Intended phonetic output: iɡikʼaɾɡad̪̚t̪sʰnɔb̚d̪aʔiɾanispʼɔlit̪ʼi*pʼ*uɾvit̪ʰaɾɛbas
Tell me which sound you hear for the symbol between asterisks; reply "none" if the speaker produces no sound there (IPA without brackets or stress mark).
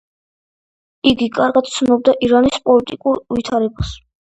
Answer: kʼ